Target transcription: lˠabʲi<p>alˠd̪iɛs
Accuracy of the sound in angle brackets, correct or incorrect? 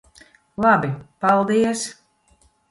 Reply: correct